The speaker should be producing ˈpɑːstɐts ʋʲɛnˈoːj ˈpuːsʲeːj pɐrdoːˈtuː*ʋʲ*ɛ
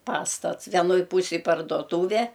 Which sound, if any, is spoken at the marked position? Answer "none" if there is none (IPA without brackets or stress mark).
ʋʲ